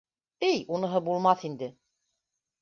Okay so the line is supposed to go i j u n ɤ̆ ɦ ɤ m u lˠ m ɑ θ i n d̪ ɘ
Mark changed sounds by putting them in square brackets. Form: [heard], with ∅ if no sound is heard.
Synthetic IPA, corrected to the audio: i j u n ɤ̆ ɦ ɤ [b] u lˠ m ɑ θ i n d̪ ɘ